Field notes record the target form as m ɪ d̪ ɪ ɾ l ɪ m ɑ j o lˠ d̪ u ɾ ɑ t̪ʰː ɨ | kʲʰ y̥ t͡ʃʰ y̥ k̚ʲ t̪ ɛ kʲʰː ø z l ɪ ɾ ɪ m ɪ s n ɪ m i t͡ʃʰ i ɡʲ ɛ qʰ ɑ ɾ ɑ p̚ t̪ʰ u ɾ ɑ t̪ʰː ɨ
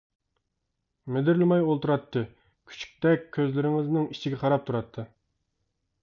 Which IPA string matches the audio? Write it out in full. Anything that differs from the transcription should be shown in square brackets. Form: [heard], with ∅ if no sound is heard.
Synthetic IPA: m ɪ d̪ ɪ ɾ l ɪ m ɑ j o lˠ [t̪] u ɾ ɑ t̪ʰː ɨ | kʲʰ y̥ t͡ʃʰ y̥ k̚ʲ t̪ ɛ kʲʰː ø z l ɪ ɾ ɪ [ŋ] ɪ [z] n ɪ [ŋ] i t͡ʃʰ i ɡʲ ɛ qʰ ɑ ɾ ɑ p̚ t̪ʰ u ɾ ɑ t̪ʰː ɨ